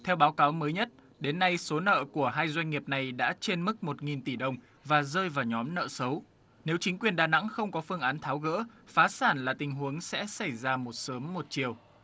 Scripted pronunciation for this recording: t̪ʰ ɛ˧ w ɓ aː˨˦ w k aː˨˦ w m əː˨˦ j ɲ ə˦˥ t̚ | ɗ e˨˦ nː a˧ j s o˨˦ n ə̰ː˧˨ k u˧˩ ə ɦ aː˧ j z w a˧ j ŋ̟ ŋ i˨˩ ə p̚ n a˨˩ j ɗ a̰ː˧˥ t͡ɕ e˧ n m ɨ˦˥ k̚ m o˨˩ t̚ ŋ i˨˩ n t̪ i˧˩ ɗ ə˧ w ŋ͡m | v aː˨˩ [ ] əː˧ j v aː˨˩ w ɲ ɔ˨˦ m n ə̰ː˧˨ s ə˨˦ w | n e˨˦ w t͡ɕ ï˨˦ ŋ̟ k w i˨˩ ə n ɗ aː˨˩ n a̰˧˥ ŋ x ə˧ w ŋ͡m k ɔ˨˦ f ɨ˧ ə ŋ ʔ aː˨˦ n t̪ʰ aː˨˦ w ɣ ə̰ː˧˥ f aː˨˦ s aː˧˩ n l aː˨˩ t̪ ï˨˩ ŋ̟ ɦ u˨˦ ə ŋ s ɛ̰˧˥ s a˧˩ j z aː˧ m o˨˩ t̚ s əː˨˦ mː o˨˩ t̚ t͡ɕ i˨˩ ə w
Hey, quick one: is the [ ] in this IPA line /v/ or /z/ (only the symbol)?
z